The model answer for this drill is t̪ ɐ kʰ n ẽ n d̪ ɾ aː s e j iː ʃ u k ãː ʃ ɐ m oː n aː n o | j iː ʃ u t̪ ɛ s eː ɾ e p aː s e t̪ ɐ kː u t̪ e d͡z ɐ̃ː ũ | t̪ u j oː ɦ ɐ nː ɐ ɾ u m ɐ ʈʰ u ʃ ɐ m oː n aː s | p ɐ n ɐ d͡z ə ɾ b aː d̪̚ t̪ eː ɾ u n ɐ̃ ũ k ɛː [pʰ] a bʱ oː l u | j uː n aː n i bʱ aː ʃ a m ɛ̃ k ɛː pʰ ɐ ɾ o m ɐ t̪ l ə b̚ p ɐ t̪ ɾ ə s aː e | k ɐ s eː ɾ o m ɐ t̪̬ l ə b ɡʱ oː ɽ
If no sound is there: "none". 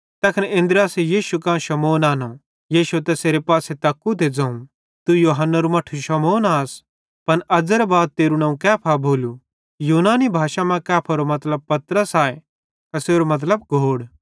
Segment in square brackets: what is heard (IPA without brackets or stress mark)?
pʰ